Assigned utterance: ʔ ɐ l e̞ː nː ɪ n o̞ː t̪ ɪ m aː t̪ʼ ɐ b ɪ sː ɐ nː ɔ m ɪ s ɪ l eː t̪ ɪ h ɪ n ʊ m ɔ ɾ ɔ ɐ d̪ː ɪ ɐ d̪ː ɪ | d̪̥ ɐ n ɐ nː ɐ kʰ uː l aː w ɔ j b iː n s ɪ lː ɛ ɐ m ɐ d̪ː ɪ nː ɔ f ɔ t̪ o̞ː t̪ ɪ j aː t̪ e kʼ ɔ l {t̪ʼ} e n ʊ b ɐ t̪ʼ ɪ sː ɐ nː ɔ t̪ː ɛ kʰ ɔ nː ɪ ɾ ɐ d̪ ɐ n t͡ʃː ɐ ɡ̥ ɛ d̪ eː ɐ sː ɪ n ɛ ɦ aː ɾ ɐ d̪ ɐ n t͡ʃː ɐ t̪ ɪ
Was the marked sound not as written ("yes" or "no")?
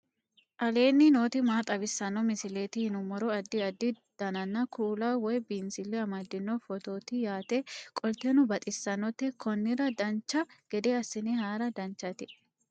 yes